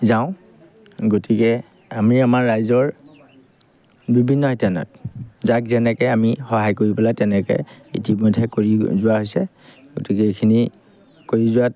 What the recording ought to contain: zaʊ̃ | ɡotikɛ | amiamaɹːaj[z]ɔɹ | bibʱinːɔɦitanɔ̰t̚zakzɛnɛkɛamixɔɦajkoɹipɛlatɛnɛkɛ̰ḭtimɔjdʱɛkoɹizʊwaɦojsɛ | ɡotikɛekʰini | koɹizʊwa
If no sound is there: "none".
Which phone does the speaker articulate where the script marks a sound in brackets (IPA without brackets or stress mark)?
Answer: z